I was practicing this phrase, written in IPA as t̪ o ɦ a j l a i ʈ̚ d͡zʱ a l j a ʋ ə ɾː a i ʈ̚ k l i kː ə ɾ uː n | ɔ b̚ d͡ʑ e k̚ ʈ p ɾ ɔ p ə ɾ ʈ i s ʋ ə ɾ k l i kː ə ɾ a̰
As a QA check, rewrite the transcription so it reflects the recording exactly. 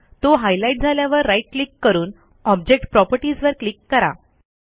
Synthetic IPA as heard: t̪ o ɦ a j l a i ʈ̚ d͡zʱ a l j a ʋ ə ɾː a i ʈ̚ k l i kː ə ɾ uː n | ɔ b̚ d͡ʑ e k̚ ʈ p ɾ ɔ p ə ɾ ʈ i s ʋ ə ɾ k l i kː ə ɾ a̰